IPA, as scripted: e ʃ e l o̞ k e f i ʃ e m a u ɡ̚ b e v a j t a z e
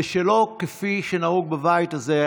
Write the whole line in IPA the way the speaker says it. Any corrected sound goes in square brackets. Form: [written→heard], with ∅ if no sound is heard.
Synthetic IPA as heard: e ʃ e l o̞ k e f i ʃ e [m→n] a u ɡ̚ b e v a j t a z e